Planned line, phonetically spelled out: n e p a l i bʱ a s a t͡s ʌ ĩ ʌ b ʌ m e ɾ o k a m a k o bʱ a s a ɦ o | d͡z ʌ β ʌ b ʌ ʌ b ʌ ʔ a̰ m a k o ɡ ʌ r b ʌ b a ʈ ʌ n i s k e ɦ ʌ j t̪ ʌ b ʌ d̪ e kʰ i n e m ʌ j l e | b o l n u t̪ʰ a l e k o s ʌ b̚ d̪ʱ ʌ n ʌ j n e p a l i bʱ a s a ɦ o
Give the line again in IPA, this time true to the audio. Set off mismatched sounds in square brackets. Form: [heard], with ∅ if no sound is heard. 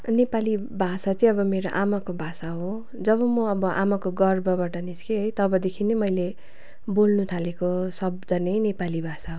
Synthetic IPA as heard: n e p a l i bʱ a s a t͡s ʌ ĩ ʌ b ʌ m e ɾ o [ʔ] a m a k o bʱ a s a ɦ o | d͡z ʌ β ʌ [m] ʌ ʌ b ʌ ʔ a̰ m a k o ɡ ʌ r b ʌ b a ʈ ʌ n i s k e ɦ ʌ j t̪ ʌ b ʌ d̪ e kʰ i n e m ʌ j l e | b o l n u t̪ʰ a l e k o s ʌ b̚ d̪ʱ ʌ n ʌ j n e p a l i bʱ a s a ɦ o

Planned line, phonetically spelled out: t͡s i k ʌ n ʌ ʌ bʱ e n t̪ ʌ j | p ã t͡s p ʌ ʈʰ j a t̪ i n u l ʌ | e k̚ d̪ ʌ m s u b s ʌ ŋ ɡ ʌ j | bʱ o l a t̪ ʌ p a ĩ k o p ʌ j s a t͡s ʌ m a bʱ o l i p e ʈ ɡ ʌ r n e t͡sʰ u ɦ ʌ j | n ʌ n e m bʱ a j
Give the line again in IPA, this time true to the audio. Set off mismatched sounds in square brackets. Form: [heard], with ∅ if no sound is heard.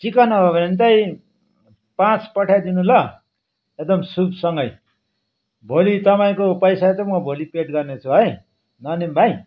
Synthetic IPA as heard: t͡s i k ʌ n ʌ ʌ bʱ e n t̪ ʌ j | p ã t͡s p ʌ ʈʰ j a [d̪] i n u l ʌ | e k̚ d̪ ʌ m s u b s ʌ ŋ ɡ ʌ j | bʱ o l [i] t̪ ʌ p a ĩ k o p ʌ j s a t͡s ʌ m [ʌ] bʱ o l i p e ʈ ɡ ʌ r n e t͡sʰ u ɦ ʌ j | n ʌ n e m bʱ a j

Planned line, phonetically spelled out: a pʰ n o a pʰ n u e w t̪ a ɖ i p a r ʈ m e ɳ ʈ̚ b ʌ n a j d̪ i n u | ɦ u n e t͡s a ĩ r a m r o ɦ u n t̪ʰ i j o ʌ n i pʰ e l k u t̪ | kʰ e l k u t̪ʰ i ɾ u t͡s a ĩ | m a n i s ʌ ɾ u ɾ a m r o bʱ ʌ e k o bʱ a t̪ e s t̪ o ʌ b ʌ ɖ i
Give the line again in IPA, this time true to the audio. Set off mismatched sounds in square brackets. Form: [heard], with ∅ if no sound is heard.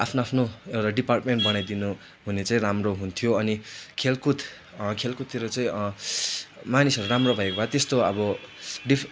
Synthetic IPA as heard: a pʰ n o a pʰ n [o] e w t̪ a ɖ i p a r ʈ m e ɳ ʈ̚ b ʌ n a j d̪ i n u | ɦ u n e t͡s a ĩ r a m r o ɦ u n t̪ʰ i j o ʌ n i [kʰ] e l k u t̪ | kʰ e l k u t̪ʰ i ɾ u t͡s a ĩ | m a n i s ʌ ɾ u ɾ a m r o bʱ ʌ e k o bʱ a t̪ e s t̪ o ʌ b ʌ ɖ i

